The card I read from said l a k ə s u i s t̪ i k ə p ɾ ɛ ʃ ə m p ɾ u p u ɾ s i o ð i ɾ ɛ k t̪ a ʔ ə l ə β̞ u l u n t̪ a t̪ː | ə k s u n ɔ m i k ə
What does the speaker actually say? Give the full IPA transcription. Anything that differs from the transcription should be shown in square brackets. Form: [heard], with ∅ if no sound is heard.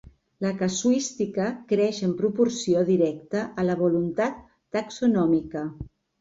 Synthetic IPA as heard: l [ə] k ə s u i s t̪ i k ə [k] ɾ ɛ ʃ ə m p ɾ u p u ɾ s i o ð i ɾ ɛ k t̪ [ə] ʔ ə l ə β̞ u l u n t̪ a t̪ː | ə k s u n ɔ m i k ə